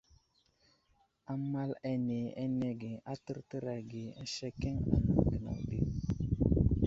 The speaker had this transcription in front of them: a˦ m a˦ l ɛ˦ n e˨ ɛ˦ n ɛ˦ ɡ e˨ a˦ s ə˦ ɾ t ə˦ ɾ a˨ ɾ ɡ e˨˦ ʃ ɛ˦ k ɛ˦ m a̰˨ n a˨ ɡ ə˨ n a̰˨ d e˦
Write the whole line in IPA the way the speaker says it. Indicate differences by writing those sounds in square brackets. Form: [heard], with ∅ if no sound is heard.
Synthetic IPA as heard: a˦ m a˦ l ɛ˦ n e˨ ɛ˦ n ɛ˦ ɡ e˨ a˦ [t] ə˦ ɾ t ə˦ ɾ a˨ [∅] ɡ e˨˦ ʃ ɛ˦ k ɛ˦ [ŋ] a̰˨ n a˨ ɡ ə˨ n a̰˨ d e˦